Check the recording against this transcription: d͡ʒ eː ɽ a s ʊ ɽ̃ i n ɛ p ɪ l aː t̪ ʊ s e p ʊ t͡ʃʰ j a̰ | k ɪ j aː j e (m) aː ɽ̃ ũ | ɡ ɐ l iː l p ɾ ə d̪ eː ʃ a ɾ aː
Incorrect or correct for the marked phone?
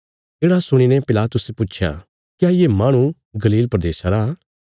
correct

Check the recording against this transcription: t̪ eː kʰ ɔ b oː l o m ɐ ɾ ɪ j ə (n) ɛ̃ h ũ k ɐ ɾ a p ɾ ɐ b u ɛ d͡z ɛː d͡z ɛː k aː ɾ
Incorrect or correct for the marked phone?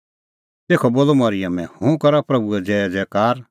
incorrect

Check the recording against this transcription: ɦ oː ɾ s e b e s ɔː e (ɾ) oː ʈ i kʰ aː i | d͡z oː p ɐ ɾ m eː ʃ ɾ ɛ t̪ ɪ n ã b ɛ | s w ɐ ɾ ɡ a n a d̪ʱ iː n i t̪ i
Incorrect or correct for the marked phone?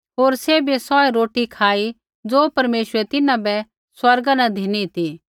correct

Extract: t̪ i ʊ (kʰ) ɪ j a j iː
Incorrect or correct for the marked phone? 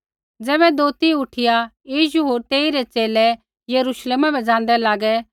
incorrect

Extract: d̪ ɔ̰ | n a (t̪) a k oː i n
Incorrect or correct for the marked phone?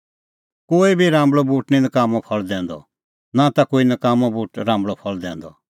correct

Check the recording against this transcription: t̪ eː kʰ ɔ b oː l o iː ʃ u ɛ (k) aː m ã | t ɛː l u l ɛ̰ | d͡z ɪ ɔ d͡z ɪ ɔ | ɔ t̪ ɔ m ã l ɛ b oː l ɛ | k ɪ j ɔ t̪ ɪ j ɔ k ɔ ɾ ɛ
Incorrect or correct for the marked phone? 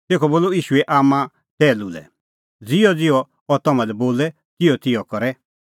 incorrect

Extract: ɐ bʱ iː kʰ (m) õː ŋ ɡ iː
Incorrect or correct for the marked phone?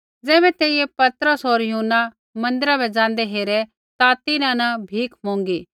correct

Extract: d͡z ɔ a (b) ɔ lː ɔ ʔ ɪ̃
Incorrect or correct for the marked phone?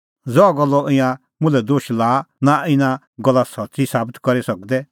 incorrect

